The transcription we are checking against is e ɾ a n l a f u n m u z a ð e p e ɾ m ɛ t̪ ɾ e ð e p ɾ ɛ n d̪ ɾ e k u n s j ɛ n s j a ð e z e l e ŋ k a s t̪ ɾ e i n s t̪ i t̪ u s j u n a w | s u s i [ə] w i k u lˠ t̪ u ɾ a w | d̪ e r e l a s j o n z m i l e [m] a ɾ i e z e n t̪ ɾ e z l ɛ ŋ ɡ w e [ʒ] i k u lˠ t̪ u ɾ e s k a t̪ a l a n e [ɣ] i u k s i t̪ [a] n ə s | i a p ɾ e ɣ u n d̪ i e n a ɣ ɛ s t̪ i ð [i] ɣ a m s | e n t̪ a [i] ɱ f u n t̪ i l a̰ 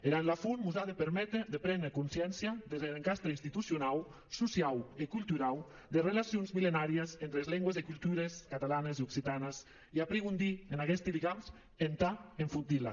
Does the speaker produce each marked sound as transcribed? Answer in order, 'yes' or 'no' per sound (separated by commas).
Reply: no, no, no, no, yes, yes, no